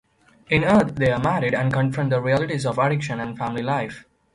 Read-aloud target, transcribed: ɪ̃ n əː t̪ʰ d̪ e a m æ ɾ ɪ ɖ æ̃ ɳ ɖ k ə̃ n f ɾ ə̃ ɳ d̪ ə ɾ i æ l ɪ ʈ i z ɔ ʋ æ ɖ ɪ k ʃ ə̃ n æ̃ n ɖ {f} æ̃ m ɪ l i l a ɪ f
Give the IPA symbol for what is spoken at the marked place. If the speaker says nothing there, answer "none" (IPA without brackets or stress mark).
f